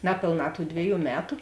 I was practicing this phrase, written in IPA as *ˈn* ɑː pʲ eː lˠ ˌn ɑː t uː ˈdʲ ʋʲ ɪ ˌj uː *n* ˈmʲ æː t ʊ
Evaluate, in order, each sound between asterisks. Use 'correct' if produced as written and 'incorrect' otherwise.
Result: correct, incorrect

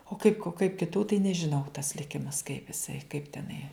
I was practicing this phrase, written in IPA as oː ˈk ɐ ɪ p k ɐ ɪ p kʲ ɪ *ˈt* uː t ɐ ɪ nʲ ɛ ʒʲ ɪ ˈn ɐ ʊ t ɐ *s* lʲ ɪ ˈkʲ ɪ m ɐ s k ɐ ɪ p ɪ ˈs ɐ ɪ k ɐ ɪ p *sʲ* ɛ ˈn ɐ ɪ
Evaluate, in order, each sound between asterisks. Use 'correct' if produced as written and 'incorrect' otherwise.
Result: correct, correct, incorrect

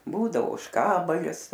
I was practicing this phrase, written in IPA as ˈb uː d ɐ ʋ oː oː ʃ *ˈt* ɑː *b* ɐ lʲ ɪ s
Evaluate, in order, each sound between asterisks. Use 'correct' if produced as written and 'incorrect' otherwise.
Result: incorrect, correct

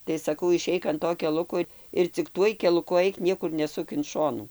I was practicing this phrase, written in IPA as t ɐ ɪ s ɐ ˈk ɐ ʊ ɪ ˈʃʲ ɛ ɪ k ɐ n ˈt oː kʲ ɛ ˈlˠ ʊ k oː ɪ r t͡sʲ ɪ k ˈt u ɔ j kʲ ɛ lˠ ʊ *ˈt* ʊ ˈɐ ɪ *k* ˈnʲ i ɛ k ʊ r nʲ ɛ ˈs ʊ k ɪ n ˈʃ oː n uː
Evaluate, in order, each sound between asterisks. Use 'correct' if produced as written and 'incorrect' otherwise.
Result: incorrect, correct

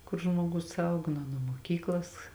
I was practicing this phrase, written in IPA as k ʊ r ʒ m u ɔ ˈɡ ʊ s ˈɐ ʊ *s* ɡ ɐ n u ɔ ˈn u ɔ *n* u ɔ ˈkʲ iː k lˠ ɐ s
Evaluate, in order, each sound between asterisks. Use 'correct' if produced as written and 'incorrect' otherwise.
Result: incorrect, incorrect

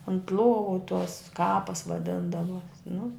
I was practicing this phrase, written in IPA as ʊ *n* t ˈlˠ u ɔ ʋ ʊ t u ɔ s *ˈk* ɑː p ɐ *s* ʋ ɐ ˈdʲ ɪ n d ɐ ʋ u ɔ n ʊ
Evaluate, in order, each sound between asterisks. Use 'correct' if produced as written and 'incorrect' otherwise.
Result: correct, correct, correct

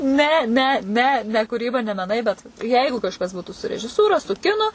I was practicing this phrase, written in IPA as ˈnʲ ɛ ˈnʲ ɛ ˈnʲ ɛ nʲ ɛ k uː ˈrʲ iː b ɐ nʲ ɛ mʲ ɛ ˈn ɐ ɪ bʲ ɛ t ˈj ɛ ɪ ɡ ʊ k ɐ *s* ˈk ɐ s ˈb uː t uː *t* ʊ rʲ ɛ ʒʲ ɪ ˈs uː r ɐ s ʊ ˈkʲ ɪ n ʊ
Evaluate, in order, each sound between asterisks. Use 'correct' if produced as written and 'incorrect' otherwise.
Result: incorrect, incorrect

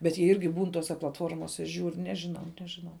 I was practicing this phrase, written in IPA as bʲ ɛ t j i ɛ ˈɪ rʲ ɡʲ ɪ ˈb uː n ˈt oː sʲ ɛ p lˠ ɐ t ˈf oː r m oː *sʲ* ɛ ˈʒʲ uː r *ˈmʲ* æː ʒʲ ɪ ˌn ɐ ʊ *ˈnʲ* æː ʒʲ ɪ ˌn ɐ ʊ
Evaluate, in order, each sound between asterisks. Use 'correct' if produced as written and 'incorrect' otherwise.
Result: correct, incorrect, correct

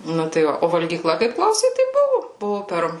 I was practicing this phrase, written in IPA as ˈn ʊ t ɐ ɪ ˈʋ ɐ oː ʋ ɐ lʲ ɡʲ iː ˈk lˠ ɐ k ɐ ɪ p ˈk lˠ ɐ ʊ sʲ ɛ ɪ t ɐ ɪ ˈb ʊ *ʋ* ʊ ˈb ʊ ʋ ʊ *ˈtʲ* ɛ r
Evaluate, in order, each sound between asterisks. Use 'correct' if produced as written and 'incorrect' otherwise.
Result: correct, incorrect

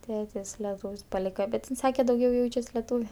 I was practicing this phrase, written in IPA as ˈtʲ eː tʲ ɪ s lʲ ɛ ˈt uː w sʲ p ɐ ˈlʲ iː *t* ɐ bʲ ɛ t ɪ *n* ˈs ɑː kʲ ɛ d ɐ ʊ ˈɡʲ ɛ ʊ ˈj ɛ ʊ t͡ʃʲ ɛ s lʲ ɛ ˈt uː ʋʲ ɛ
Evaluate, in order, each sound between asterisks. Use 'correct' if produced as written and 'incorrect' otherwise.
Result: incorrect, correct

